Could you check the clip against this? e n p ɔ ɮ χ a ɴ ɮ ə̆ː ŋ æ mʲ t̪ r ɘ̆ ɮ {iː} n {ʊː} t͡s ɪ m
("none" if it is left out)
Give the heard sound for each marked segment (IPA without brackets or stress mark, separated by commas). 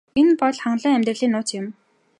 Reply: iː, ʊː